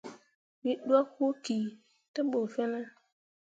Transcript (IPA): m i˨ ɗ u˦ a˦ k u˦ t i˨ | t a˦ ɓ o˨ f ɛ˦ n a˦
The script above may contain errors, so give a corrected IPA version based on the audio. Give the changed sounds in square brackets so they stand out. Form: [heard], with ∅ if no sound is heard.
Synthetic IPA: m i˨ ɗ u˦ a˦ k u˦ [k] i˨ | t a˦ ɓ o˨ f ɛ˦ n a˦